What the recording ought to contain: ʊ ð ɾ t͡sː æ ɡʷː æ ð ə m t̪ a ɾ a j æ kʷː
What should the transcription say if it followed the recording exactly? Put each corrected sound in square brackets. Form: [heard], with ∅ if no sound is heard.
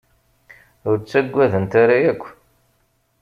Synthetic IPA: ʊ [∅] ɾ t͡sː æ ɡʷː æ ð ə [n] t̪ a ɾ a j æ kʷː

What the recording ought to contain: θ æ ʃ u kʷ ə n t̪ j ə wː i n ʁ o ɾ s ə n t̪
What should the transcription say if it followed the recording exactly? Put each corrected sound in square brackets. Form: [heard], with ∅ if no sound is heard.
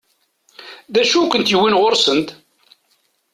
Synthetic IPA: [ð] æ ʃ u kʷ ə n t̪ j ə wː i n ʁ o ɾ s ə n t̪

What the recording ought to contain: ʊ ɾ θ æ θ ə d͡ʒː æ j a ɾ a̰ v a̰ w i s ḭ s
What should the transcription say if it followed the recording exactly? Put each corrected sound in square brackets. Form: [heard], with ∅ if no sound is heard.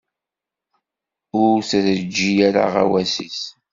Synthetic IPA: ʊ ɾ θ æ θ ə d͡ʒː [i] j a ɾ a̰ [ʁ] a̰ w [æ] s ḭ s

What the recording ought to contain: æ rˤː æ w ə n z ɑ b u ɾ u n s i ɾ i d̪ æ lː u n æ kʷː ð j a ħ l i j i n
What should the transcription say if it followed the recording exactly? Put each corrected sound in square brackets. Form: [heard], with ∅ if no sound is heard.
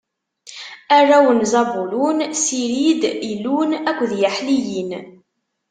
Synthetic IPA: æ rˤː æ w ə n z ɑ b u [l] u n s i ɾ i d̪ [i] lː u n æ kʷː ð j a ħ l i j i n

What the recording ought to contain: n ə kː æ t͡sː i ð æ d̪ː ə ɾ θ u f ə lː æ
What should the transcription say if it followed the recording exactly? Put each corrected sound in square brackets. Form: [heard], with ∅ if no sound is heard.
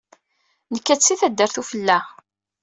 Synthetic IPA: n ə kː æ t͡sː i [θ] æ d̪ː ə ɾ θ u f ə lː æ

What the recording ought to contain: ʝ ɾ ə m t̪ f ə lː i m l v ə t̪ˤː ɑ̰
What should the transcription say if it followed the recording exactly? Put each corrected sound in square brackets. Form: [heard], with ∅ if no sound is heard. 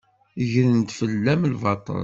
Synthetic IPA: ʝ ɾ ə [n] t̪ f ə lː [æ] m l v [ɑ] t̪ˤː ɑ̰

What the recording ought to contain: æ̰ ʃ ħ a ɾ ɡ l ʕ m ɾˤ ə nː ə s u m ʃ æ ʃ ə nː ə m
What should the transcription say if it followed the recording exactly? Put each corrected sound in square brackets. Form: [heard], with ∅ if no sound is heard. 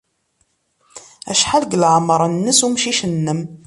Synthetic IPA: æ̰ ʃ ħ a [l] ɡ l ʕ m ɾˤ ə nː ə s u m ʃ [i] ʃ ə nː ə m

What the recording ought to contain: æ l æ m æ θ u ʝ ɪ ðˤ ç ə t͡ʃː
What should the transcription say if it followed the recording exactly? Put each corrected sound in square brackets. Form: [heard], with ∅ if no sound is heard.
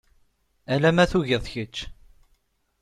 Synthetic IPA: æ l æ m æ θ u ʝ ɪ ðˤ ç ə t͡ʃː

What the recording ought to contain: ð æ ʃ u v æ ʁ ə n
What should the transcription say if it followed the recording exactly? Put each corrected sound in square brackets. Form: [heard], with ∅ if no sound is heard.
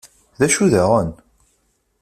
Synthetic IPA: ð æ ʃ u [ð] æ ʁ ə n

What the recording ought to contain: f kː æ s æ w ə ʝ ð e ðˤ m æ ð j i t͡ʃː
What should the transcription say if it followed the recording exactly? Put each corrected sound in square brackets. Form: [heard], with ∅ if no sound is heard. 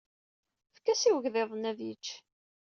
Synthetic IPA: f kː æ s [i] w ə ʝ ð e ðˤ [n] æ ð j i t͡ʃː

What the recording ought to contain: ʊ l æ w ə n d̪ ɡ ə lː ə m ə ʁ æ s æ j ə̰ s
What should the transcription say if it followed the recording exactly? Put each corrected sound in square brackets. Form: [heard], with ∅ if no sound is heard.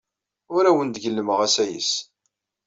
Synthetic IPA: ʊ [ɾ] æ w ə n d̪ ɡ ə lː ə m ə ʁ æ s æ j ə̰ s

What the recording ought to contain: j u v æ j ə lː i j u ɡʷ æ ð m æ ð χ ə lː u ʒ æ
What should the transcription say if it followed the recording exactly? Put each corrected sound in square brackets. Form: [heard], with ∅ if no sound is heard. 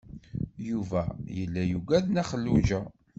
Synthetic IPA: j u v æ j ə lː [æ] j u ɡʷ æ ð [n] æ [∅] χ ə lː u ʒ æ

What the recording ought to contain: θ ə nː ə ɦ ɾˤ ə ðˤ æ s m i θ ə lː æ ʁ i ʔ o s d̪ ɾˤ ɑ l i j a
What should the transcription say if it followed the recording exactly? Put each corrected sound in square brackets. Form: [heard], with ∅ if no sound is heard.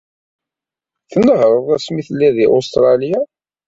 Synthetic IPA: θ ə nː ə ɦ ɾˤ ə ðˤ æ s m i θ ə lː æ [ð] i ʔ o s [t̪] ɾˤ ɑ l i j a

